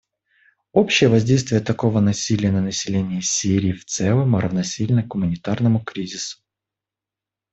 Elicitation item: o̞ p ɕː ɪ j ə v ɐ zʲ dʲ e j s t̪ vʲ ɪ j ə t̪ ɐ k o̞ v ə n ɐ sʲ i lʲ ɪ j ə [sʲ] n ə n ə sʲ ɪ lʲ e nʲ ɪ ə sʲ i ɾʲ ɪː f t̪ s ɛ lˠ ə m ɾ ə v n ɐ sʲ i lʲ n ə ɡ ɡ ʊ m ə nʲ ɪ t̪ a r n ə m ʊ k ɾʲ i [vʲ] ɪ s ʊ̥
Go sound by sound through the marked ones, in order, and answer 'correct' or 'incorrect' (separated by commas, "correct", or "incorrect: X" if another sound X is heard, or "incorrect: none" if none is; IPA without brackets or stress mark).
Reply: incorrect: none, incorrect: zʲ